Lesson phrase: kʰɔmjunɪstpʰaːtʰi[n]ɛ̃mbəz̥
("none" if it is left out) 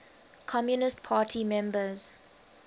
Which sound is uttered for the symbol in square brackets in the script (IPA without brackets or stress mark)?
m